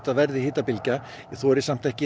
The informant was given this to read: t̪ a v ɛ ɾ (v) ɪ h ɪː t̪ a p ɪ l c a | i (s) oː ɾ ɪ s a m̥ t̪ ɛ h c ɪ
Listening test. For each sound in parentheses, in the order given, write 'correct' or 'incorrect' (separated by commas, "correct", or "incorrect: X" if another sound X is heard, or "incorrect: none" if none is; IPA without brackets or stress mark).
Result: incorrect: ð, incorrect: θ